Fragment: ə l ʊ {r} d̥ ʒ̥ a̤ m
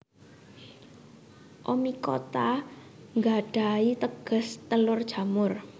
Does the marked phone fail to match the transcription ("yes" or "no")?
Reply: no